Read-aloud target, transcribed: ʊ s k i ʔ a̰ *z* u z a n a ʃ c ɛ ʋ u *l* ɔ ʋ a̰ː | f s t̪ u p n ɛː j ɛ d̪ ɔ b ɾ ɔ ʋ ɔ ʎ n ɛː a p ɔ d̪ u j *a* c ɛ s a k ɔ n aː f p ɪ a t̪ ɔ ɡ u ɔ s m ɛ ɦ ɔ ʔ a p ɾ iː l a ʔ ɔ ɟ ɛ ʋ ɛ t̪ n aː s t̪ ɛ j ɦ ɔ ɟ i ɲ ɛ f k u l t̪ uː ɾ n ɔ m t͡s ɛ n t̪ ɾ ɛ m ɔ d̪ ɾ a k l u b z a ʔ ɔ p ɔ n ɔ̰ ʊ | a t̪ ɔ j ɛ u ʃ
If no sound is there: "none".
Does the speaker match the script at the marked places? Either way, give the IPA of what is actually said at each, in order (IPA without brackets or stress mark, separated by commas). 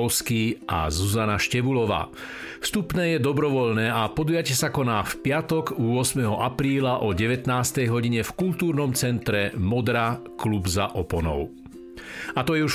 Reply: z, l, a